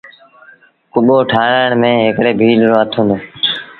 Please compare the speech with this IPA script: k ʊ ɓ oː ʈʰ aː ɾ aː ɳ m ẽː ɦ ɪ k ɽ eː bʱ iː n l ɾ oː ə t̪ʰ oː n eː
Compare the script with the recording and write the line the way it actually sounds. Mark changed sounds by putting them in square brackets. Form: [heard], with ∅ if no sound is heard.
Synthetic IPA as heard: k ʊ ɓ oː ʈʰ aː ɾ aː ɳ m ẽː ɦ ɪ k ɽ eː bʱ iː [∅] l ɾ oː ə t̪ʰ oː n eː